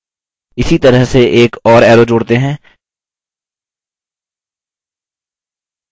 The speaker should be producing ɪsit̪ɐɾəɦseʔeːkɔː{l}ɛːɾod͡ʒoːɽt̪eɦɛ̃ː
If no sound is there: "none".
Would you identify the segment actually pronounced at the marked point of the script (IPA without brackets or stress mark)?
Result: ɾ